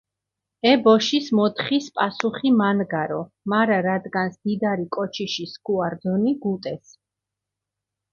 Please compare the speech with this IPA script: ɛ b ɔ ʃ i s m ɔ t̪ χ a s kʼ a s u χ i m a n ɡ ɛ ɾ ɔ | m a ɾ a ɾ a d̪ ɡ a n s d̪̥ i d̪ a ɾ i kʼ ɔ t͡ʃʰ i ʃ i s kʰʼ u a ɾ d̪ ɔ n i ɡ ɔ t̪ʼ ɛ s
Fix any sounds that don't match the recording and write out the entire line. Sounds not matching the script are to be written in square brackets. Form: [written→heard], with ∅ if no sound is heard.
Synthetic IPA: ɛ b ɔ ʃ i s m ɔ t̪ χ [a→i] s [kʼ→pʼ] a s u χ i m a n ɡ [ɛ→a] ɾ ɔ | m a ɾ a ɾ a d̪ ɡ a n s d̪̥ i d̪ a ɾ i kʼ ɔ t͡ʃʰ i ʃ i s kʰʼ u a ɾ d̪ ɔ n i ɡ [ɔ→u] t̪ʼ ɛ s